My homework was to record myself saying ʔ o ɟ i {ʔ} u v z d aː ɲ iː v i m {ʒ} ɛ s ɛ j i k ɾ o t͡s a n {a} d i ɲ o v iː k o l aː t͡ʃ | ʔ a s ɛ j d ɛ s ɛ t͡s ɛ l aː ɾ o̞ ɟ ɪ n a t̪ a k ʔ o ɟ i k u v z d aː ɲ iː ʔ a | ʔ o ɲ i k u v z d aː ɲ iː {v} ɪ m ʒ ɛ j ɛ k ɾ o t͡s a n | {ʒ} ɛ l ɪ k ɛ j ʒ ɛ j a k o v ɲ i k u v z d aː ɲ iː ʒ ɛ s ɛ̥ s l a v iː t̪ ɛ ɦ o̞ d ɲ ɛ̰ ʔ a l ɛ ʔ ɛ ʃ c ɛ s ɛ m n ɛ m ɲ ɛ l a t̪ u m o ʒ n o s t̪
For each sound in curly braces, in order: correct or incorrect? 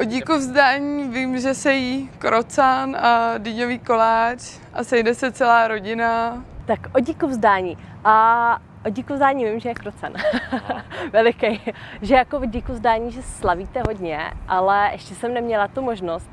incorrect: k, correct, correct, correct, incorrect: v

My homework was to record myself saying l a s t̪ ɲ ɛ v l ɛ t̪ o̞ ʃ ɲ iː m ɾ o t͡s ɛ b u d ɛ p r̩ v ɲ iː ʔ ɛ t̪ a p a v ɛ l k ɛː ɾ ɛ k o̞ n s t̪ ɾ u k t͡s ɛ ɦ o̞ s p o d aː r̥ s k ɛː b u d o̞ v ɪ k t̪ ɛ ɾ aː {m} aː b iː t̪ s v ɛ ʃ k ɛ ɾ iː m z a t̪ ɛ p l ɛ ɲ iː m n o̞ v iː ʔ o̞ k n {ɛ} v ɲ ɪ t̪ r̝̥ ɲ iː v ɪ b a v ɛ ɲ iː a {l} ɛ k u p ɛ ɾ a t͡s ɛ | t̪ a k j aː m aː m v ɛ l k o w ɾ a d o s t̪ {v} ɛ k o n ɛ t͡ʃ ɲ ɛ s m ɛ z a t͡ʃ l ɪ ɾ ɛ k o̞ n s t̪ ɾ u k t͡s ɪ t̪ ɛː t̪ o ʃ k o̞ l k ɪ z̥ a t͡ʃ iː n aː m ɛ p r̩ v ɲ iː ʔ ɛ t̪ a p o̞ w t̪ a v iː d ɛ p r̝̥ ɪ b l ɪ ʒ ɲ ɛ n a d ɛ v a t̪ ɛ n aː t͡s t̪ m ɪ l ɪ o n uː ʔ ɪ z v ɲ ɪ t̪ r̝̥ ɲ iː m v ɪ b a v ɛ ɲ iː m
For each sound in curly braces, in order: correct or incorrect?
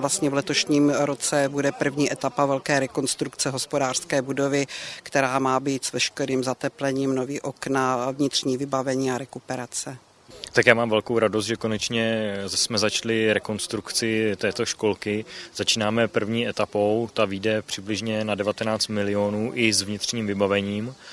correct, incorrect: a, incorrect: ɾ, incorrect: ʒ

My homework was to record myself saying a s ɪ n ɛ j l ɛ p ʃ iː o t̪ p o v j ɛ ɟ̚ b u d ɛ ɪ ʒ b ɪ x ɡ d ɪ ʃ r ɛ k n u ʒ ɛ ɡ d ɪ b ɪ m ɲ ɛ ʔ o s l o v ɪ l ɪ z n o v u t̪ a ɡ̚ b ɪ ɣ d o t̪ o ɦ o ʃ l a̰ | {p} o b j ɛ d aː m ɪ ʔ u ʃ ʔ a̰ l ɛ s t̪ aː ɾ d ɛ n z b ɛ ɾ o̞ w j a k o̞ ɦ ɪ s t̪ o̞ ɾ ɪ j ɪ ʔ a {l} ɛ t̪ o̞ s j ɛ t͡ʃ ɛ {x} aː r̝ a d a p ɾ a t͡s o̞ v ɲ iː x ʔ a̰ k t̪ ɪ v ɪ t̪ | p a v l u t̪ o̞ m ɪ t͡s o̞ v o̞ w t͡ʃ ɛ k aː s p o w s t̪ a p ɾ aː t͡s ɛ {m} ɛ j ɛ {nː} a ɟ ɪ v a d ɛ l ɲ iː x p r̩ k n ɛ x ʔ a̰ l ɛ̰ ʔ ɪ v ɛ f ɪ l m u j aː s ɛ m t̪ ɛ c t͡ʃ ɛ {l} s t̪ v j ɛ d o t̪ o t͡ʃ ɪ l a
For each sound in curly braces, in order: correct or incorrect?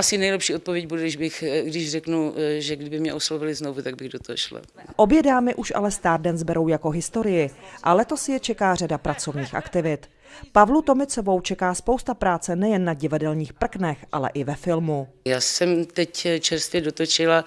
incorrect: ʔ, correct, incorrect: k, incorrect: n, correct, incorrect: ɾ

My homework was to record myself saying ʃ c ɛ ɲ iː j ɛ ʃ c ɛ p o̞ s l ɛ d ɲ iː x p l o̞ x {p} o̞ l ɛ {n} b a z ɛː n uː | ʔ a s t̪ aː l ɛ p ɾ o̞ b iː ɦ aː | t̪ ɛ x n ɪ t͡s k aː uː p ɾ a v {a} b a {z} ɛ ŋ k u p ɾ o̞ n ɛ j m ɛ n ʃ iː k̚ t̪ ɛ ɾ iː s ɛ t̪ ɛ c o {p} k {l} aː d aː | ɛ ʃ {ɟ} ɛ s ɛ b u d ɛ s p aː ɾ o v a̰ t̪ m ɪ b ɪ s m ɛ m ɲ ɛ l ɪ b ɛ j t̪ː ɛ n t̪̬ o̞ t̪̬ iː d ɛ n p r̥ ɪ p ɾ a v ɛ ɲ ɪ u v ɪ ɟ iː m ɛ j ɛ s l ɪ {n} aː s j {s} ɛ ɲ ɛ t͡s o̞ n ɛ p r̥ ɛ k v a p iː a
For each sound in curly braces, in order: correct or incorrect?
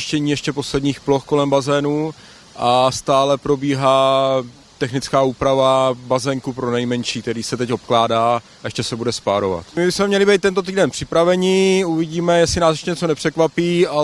incorrect: k, incorrect: m, correct, correct, correct, correct, incorrect: c, correct, incorrect: ʃ

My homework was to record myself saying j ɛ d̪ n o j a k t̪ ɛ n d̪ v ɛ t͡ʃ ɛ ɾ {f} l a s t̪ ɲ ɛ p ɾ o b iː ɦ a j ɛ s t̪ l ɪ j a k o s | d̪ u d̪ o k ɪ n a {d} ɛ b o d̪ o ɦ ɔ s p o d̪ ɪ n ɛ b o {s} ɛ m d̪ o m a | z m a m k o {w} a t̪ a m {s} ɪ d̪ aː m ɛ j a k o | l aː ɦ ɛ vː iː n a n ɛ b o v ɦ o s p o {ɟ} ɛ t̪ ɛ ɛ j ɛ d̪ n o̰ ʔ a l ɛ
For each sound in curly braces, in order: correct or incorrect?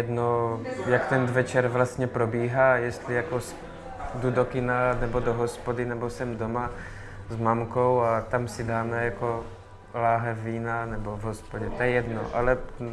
incorrect: v, incorrect: n, correct, correct, correct, correct

